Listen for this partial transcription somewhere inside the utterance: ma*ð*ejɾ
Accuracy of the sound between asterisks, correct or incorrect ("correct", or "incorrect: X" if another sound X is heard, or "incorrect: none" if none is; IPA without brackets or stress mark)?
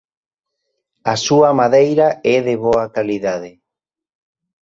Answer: correct